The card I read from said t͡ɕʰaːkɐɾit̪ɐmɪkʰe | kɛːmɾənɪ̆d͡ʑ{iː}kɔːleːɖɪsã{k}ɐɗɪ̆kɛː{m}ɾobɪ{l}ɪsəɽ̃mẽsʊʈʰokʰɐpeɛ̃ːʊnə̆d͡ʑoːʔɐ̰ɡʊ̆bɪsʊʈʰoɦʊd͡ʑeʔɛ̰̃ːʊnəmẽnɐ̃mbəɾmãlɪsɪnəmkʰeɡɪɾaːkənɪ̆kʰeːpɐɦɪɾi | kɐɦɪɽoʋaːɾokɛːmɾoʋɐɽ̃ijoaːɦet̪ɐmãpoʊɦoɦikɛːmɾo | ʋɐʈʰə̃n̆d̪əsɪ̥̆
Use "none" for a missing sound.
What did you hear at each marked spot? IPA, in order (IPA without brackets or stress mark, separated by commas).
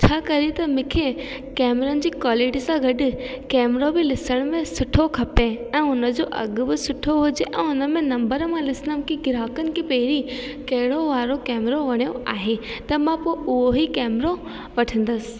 iː, ɡ, m, l